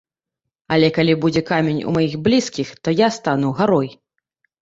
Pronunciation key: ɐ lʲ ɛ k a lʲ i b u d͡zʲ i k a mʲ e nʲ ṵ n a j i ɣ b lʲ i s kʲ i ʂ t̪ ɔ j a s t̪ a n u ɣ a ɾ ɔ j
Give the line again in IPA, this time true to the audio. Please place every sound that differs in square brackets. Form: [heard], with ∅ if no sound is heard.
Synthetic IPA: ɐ lʲ ɛ k a lʲ i b u d͡zʲ [ɛ] k a mʲ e nʲ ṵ [m] a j i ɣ b lʲ i s kʲ i [x] t̪ ɔ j a s t̪ a n u ɣ a ɾ ɔ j